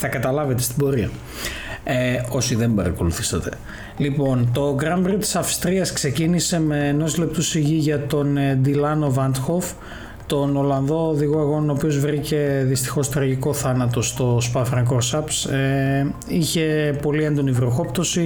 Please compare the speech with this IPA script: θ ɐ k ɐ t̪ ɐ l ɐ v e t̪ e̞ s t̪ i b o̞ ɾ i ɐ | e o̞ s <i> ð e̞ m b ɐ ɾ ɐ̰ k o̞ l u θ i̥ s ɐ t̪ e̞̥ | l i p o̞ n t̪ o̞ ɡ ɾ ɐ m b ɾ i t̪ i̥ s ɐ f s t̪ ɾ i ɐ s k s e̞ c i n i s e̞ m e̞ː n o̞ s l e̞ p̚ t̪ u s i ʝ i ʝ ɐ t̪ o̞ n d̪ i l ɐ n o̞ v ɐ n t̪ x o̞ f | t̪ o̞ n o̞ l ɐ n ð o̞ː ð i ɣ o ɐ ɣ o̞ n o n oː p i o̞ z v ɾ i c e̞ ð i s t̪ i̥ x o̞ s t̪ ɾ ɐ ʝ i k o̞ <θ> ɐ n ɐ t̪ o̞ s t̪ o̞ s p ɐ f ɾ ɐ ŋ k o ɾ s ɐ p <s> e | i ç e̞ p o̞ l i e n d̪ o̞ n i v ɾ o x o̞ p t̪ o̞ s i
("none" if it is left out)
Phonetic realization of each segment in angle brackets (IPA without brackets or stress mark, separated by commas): i, θ, s